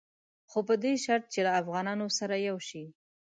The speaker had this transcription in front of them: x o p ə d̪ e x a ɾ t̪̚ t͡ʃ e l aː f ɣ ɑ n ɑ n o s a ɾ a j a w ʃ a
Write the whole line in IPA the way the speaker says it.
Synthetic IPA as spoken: x o p ə d̪ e ʃ a ɾ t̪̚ t͡ʃ e l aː f ɣ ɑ n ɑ n o s a ɾ a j a w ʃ i